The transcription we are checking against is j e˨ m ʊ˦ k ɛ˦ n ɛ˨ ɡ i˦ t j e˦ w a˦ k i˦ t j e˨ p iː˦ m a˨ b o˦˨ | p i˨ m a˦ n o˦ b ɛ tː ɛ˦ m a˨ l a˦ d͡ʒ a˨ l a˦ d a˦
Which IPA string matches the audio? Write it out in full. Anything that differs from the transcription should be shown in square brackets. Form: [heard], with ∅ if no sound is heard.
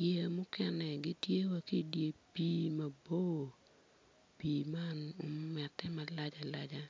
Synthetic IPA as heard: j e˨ m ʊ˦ k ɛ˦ n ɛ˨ ɡ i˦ t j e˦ w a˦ k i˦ [d] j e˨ p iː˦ m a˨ b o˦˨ | p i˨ m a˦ n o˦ [m] ɛ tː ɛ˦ m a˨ l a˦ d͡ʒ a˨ l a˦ [d͡ʒ] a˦